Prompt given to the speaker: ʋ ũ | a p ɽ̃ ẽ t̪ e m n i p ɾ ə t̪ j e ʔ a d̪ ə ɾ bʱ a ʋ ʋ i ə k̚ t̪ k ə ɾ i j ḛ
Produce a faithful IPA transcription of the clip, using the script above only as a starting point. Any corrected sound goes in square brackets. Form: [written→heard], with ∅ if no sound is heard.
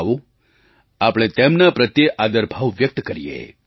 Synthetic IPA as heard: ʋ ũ | a p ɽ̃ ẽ t̪ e m n [i→a] p ɾ ə t̪ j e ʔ a d̪ ə ɾ bʱ a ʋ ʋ [i→j] ə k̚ t̪ k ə ɾ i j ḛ